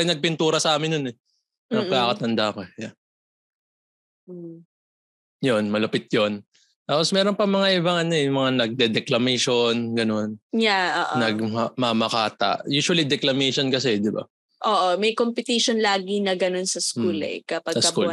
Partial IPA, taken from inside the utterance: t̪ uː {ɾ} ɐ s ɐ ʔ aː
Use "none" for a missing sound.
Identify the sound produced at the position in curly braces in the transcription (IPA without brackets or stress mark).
ɾ